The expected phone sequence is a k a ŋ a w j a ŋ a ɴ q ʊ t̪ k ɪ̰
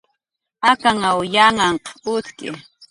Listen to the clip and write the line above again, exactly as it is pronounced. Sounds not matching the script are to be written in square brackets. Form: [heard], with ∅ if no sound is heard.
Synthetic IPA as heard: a k a ŋ a w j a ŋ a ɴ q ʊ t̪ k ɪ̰